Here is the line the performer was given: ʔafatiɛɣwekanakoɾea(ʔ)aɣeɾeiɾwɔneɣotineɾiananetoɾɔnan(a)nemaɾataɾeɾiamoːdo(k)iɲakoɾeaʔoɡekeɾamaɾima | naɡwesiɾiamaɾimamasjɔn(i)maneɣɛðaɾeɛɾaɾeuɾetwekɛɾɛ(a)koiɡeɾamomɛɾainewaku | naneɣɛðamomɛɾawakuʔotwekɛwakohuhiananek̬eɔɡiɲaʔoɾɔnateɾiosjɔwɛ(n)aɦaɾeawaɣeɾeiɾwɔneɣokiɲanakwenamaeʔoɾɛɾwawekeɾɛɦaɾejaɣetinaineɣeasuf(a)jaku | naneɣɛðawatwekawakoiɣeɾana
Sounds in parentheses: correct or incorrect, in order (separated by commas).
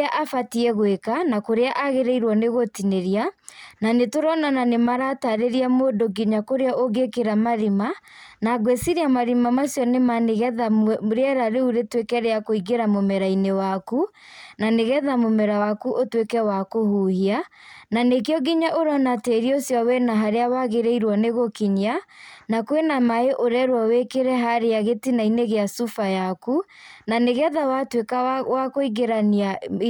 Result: correct, correct, incorrect, incorrect, correct, correct, correct